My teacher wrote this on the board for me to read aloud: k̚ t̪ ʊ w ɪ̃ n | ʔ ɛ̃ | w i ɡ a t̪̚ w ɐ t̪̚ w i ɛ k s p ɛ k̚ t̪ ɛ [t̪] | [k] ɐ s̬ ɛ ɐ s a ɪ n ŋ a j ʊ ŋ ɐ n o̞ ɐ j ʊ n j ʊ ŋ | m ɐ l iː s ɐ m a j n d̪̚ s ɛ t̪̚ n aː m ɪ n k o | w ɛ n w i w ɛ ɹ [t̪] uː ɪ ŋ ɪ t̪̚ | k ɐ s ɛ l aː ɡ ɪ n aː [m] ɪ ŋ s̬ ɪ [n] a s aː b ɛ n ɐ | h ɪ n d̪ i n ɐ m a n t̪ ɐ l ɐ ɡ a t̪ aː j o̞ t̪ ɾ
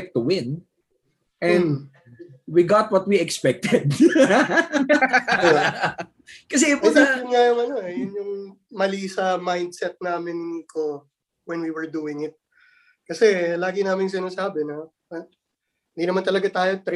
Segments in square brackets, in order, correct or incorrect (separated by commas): incorrect, correct, incorrect, correct, correct